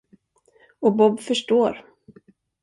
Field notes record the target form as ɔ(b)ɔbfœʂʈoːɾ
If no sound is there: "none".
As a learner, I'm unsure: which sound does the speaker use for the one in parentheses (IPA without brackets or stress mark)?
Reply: b